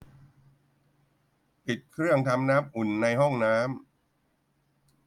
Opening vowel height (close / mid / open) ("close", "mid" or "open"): close